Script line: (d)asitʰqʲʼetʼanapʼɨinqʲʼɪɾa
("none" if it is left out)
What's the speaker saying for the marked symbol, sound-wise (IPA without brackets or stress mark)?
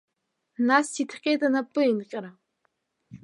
n